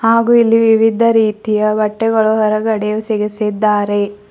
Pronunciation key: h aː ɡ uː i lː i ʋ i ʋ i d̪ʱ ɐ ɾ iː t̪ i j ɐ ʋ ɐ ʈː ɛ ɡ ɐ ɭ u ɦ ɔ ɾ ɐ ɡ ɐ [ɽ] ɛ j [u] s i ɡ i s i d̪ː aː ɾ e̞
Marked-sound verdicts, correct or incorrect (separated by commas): correct, correct